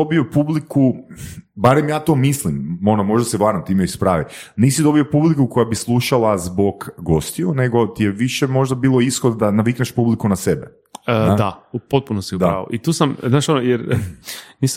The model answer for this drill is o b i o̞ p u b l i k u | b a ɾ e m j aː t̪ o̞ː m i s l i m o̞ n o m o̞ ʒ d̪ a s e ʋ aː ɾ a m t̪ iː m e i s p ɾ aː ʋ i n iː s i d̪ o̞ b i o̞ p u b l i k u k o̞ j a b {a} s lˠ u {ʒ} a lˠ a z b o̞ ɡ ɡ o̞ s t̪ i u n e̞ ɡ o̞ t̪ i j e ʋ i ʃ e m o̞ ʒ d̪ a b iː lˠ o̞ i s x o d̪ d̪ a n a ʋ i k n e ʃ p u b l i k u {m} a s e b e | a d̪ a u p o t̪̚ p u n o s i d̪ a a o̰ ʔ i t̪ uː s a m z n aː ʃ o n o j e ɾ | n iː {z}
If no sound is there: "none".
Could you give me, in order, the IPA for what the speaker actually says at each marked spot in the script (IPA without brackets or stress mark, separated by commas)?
i, ʃ, n, s